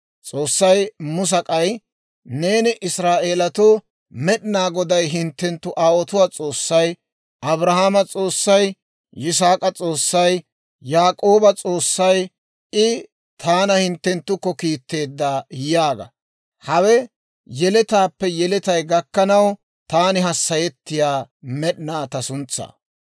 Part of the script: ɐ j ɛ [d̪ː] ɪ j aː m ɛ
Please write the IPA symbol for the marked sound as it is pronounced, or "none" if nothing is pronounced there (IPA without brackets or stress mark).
t̪ː